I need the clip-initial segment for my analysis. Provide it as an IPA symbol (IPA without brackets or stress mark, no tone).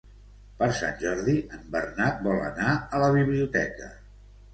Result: p